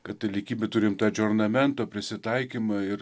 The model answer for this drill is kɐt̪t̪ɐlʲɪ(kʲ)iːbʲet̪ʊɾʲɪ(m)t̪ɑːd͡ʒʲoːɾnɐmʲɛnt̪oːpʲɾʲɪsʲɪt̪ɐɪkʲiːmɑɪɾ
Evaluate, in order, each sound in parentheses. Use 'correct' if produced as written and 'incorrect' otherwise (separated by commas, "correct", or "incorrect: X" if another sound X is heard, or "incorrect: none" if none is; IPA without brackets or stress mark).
correct, correct